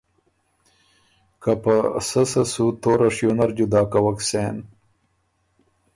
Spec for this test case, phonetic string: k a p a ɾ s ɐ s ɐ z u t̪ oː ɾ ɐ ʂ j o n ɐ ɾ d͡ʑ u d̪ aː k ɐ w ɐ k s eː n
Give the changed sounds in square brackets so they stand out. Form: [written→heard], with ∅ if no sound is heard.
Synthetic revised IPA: k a p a [ɾ→∅] s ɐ s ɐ [z→s] u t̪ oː ɾ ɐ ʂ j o n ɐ ɾ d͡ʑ u d̪ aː k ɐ w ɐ k s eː n